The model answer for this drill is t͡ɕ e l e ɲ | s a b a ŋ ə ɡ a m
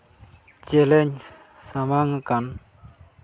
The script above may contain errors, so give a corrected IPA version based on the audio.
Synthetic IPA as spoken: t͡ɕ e l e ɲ | s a m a ŋ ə k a n